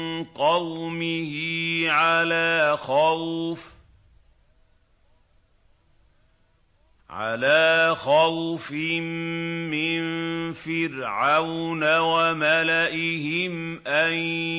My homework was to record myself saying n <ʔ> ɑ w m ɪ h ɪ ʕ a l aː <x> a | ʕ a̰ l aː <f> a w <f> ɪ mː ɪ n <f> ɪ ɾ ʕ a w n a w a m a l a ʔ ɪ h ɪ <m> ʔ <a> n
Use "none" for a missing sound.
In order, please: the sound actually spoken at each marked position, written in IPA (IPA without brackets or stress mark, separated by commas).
q, x, x, f, f, m, a